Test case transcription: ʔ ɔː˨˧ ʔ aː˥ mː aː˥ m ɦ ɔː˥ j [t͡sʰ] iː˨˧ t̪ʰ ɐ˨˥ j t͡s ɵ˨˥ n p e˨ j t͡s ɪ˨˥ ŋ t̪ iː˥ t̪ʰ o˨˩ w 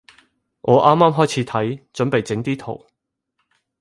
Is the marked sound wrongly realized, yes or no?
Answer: no